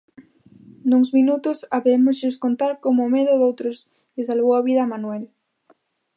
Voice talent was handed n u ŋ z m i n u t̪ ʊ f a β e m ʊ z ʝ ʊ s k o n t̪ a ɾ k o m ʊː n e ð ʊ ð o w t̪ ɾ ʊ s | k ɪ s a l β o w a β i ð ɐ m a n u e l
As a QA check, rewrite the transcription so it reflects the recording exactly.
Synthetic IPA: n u ŋ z m i n u t̪ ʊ s a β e m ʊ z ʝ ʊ s k o n t̪ a ɾ k o m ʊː m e ð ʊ ð o w t̪ ɾ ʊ s | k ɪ s a l β o w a β i ð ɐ m a n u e l